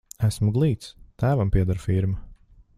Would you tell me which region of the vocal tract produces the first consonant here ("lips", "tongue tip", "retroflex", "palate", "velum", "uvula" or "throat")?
tongue tip